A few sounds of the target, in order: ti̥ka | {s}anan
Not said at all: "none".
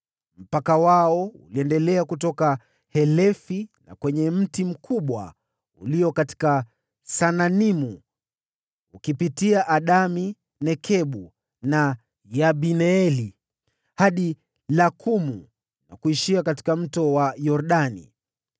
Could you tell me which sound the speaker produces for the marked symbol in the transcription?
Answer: s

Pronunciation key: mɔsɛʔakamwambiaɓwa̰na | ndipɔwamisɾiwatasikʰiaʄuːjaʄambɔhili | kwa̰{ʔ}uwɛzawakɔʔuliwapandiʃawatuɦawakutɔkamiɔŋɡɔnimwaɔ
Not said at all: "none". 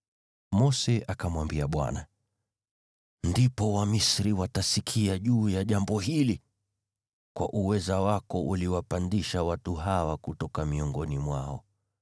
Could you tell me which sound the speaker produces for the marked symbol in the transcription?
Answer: ʔ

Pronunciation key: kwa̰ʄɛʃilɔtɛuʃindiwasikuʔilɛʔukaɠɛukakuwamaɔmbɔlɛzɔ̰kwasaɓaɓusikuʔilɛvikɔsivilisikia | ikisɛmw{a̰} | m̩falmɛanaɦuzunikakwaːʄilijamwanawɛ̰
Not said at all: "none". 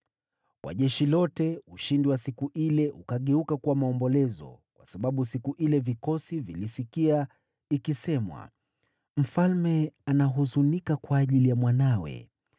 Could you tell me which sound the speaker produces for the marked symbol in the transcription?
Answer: a̰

